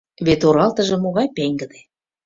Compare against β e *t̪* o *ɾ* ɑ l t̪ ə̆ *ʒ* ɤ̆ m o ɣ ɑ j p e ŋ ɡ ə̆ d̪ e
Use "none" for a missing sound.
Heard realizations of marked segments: t̪, ɾ, ʒ

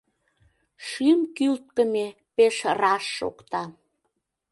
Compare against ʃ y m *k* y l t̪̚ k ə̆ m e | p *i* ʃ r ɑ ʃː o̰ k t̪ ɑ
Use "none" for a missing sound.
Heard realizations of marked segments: k, e

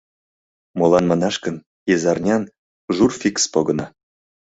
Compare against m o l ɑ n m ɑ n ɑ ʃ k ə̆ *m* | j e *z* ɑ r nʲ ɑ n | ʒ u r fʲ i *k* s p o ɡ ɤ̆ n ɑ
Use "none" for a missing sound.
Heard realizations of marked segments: n, z, k

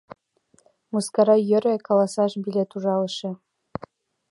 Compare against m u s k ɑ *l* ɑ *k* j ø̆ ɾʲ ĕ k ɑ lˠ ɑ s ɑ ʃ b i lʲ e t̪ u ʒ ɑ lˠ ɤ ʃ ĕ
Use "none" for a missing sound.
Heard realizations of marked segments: ɾ, none

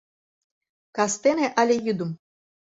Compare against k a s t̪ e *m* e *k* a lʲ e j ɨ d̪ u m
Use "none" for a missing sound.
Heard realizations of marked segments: n, ʔ

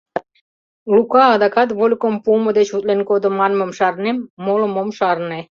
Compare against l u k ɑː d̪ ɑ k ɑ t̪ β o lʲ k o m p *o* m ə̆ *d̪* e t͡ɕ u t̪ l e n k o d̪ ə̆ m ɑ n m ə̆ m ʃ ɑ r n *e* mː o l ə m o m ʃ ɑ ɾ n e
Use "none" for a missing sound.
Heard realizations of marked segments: u, d̪, e

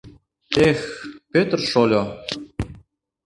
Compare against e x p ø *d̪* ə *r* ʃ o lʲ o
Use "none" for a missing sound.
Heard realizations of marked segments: t̪, r

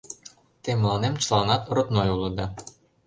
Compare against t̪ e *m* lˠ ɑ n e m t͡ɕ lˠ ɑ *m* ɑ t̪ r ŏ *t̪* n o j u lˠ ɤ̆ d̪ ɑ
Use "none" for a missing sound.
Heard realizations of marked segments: m, n, t̪

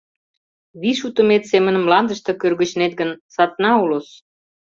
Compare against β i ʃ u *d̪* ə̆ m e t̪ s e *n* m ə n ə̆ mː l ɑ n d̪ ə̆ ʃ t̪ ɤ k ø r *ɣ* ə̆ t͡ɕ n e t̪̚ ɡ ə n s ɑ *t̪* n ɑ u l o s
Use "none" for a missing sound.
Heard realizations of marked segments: t̪, none, ɣ, t̪

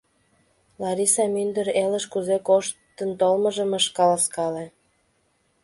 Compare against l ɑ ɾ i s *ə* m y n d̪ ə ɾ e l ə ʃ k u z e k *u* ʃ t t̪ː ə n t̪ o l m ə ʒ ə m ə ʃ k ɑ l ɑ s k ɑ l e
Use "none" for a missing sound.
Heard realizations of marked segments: ɑ, o

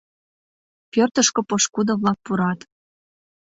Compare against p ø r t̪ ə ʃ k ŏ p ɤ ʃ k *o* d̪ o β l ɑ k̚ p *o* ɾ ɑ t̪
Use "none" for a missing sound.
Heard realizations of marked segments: u, u

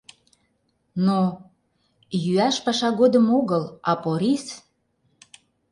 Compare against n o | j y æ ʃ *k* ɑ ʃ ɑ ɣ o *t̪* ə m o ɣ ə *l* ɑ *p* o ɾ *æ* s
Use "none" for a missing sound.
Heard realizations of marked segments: p, d̪, l, p, i

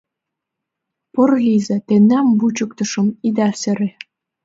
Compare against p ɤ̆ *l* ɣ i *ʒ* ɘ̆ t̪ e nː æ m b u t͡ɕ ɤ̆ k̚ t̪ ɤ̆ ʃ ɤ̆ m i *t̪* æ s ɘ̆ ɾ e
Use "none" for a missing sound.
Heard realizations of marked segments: r, z, d̪

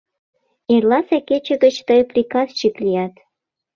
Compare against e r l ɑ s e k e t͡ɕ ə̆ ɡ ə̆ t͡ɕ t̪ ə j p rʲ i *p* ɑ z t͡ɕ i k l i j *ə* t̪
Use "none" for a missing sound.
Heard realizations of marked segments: k, ɑ

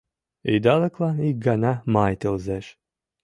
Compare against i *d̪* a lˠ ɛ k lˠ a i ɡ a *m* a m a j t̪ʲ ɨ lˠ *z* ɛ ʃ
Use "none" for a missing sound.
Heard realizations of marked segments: d̪, n, z

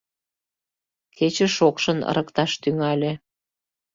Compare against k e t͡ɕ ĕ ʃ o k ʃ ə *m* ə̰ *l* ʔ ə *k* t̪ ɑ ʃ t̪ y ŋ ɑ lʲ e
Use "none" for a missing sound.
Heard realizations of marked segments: n, ɾ, k

